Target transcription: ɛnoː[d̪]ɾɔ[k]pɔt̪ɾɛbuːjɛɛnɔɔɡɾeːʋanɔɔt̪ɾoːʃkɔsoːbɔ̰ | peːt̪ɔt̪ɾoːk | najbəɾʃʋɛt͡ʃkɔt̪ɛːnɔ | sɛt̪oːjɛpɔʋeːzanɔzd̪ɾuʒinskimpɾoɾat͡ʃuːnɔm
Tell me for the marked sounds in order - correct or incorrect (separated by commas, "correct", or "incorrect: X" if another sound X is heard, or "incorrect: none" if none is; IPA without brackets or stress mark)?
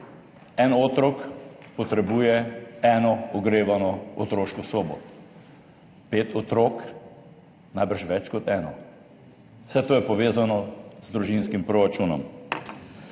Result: incorrect: t̪, correct